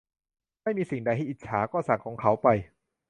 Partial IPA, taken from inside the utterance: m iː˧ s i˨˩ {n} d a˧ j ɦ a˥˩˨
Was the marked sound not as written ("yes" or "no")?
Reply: yes